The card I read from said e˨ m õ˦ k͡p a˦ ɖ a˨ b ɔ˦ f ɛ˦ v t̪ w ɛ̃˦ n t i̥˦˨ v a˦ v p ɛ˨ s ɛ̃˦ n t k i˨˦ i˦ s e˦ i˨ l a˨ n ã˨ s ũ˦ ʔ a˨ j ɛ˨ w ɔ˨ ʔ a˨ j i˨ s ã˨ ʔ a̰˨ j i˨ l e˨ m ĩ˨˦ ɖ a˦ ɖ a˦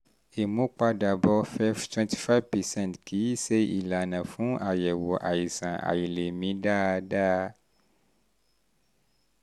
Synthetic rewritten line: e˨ m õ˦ k͡p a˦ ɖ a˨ b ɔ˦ f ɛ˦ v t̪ w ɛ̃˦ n t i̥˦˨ f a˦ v p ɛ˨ s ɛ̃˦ n t k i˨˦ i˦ s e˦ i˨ l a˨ n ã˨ f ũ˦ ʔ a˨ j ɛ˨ w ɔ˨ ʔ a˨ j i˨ s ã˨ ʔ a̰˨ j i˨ l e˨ m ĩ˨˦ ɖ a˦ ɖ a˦